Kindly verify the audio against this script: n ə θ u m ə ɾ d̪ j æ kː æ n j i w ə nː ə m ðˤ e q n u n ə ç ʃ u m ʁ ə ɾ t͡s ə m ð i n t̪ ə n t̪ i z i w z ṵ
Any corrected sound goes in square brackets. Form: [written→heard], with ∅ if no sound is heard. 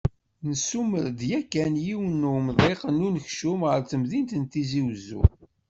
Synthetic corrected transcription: n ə [θ→s] u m ə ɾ d̪ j æ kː æ n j i w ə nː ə m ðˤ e q n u n ə ç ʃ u m ʁ ə ɾ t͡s ə m ð i n t̪ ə n t̪ i z i w z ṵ